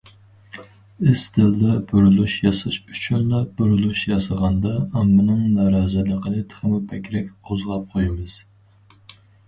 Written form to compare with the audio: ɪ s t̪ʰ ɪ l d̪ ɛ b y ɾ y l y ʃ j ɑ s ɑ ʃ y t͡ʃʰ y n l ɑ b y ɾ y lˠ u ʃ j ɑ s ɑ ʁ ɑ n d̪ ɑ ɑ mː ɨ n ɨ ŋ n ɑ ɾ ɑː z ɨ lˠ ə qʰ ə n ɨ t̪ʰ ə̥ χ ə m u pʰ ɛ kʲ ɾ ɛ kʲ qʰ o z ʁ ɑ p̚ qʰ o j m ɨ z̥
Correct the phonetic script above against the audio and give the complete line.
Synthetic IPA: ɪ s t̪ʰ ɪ l d̪ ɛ b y ɾ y l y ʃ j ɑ s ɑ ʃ y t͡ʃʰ y n l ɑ b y ɾ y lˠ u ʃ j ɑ s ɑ ʁ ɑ n d̪ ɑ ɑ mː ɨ n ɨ ŋ n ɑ ɾ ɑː z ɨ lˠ ə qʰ ə n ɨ t̪ʰ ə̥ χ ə m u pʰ ɛ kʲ ɾ ɛ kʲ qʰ o z ʁ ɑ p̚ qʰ o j m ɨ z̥